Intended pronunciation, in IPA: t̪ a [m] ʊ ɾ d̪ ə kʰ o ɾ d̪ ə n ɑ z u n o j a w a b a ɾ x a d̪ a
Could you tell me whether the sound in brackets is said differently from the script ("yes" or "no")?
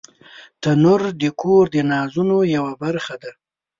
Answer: yes